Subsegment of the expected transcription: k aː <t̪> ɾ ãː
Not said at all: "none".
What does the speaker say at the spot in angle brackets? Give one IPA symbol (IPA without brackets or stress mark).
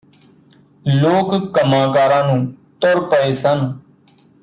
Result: none